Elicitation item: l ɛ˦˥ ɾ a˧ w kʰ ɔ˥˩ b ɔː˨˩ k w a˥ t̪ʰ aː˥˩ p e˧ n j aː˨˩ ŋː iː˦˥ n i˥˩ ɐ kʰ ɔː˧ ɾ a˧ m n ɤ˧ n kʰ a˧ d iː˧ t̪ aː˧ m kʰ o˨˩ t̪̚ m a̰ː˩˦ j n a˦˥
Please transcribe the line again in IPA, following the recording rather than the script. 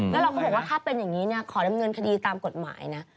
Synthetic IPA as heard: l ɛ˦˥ ɾ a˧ w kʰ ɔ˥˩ b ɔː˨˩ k w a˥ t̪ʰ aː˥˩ p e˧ n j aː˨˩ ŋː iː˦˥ n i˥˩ ɐ kʰ ɔː˩˦ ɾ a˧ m ŋ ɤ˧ n kʰ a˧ d iː˧ t̪ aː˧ m k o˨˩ t̪̚ m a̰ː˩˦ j n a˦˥